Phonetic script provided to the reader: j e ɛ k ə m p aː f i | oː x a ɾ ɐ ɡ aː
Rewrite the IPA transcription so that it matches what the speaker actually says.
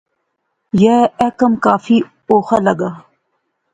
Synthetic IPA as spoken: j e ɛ k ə m k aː f i | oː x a l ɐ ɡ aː